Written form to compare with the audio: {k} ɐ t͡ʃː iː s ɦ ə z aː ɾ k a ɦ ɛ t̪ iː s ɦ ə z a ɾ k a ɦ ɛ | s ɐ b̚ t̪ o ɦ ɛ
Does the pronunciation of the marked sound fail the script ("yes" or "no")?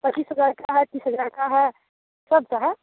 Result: yes